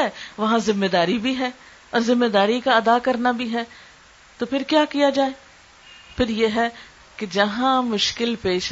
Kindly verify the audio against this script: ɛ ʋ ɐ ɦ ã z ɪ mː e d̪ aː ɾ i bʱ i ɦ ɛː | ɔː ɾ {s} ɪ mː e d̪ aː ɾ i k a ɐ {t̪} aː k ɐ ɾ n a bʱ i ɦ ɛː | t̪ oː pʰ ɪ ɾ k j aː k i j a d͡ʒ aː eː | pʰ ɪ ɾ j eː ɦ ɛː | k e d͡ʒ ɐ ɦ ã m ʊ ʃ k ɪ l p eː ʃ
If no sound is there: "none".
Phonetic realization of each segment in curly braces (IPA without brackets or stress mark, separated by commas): z, d̪